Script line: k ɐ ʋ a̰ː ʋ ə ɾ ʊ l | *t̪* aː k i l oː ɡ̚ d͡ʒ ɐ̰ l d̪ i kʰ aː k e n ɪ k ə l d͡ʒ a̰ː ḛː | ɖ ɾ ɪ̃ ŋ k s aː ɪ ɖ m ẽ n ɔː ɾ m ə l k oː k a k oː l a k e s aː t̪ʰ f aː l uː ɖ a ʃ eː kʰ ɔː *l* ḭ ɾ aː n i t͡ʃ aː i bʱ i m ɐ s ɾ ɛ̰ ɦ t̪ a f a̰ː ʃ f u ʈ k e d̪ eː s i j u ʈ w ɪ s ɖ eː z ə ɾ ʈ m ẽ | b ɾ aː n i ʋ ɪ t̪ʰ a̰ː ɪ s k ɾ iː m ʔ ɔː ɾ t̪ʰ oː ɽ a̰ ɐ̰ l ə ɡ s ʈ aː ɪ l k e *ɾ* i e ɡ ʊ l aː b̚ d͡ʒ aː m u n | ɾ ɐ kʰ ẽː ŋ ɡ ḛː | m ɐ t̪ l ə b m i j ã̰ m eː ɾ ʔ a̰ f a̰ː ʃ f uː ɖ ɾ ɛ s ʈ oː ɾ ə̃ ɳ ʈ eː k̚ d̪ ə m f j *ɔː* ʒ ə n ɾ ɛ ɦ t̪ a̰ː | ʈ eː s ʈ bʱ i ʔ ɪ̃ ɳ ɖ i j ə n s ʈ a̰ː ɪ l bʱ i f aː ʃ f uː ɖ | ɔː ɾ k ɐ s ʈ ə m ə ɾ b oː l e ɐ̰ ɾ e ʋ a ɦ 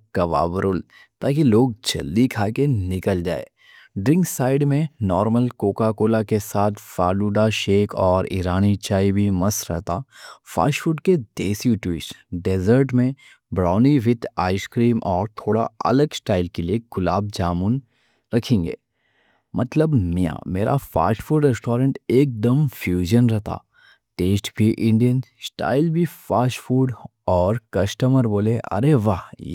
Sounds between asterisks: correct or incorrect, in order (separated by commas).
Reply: correct, incorrect, incorrect, incorrect